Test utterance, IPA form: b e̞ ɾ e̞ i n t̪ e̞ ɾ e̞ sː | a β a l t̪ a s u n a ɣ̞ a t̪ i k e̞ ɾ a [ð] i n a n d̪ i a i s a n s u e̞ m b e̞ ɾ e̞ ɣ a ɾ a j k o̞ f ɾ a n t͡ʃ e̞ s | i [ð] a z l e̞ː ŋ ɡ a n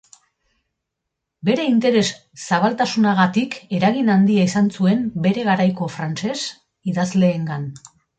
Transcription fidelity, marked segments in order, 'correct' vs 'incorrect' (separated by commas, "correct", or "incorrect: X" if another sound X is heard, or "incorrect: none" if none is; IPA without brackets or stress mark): incorrect: ɣ, correct